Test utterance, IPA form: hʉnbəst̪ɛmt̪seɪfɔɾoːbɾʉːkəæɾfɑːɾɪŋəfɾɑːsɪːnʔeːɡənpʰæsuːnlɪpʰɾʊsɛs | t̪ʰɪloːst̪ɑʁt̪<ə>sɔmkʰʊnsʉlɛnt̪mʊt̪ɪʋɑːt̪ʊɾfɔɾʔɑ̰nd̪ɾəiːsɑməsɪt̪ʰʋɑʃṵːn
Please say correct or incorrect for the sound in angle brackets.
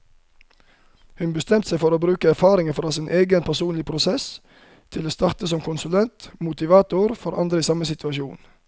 correct